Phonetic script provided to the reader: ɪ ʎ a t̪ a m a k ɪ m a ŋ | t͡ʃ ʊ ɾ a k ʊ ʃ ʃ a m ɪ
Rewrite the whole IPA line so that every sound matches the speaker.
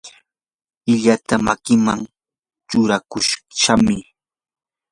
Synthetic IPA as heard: ɪ ʎ a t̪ a m a k ɪ m a ŋ | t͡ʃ ʊ ɾ a k ʊ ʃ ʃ a m ɪ